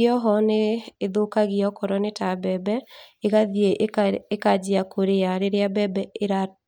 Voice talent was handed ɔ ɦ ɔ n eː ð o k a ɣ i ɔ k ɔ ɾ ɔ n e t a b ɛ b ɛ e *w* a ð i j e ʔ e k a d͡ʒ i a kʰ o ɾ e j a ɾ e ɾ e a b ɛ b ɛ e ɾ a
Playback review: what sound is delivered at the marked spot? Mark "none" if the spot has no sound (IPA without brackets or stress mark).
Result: ɣ